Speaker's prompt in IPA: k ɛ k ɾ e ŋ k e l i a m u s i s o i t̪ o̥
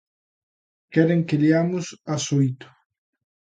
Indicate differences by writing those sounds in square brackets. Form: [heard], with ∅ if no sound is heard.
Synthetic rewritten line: k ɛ [∅] ɾ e ŋ k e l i a m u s [a] s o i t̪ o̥